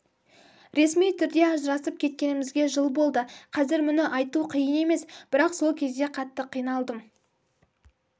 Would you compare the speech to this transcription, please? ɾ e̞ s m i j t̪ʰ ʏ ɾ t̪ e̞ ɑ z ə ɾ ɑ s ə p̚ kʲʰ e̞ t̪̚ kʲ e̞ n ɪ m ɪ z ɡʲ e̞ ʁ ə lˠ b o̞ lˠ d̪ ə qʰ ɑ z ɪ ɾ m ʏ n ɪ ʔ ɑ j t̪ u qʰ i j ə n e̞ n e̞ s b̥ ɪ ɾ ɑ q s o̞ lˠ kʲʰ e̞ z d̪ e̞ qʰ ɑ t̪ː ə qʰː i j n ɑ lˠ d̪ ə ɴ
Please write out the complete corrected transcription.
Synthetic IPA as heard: ɾ e̞ s m i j t̪ʰ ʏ ɾ d̪ e̞ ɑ ʒ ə ɾ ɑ s ə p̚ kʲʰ e̞ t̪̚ kʲ e̞ n ɪ m ɪ z ɡʲ e̞ ʒ ə lˠ b o̞ lˠ d̪ ə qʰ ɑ z ɪ ɾ m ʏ n ɪ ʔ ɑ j t̪ u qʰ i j ə n e̞ m e̞ s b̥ ɪ ɾ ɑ q s o̞ lˠ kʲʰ e̞ z d̪ e̞ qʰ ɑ t̪ː ə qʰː i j n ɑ lˠ d̪ ə m

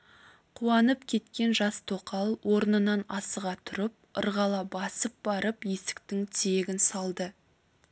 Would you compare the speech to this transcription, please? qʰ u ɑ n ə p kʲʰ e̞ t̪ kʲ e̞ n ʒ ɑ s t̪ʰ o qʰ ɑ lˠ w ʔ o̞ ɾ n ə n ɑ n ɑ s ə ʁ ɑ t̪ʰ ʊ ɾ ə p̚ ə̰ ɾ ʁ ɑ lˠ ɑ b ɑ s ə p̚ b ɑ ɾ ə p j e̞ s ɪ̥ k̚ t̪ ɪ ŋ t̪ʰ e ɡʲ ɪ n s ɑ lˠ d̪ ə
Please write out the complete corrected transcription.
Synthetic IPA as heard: qʰ u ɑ n ə p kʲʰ e̞ t̪ kʲ e̞ n ʒ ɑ s t̪ʰ o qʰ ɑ lˠ w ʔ o̞ ɾ n ə n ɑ n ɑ s ə ʁ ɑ t̪ʰ ʊ ɾ ə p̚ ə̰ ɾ ʁ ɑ lˠ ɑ b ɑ s ə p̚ b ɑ ɾ ə p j e̞ s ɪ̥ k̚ t̪ ɪ ŋ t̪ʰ e ɡʲ ɪ n s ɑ lˠ d̪ ə

